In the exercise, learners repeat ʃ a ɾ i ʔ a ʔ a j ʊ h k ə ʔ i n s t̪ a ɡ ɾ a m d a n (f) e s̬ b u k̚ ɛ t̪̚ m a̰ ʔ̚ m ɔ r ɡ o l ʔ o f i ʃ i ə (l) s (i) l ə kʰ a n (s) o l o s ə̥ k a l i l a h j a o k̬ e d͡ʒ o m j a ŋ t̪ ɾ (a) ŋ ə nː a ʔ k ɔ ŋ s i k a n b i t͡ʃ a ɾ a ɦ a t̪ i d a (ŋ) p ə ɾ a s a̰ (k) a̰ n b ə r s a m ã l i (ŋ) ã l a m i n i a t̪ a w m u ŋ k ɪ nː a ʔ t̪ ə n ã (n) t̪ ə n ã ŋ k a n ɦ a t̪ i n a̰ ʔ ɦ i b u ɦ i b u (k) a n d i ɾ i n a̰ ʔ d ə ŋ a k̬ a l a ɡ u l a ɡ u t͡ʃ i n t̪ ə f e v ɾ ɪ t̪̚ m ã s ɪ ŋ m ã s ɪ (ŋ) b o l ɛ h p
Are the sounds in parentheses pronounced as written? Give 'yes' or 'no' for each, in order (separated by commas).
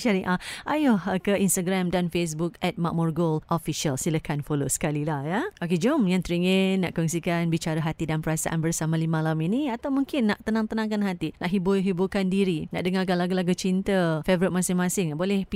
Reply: yes, yes, yes, no, no, no, no, no, no, yes, yes